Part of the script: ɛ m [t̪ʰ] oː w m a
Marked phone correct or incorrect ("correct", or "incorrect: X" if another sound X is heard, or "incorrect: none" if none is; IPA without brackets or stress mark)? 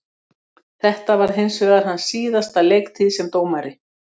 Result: incorrect: t̪